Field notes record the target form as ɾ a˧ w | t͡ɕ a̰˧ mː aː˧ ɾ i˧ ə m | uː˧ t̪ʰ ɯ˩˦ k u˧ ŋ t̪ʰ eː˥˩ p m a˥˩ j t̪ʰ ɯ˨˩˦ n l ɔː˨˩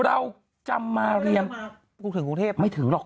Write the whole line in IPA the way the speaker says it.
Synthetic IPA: ɾ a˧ w | t͡ɕ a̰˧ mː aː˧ ɾ i˧ ə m | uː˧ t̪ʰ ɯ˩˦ k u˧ ŋ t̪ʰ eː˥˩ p m a˥˩ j t̪ʰ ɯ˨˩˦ ŋ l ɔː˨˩